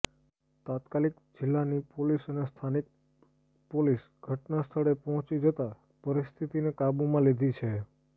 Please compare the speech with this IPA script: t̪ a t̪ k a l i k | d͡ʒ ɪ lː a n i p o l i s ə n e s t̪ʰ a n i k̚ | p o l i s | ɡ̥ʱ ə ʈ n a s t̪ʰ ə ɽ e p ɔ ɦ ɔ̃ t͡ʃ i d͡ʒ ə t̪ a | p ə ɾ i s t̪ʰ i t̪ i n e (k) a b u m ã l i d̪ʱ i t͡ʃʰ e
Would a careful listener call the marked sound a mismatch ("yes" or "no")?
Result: no